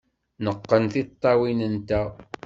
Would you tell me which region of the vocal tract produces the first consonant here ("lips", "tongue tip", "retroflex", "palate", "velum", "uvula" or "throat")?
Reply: tongue tip